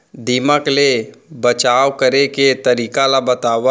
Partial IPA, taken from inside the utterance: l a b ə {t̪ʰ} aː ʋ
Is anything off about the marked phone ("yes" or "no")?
yes